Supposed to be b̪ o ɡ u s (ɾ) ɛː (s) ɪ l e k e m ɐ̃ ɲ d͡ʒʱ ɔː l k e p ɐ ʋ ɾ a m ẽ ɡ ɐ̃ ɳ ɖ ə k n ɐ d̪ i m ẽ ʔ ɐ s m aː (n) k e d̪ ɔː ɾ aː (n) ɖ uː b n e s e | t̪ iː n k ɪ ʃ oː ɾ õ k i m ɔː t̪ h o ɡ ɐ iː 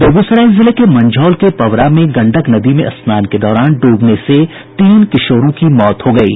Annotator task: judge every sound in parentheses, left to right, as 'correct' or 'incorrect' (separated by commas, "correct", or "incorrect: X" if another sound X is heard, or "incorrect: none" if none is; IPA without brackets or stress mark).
correct, incorrect: z, correct, correct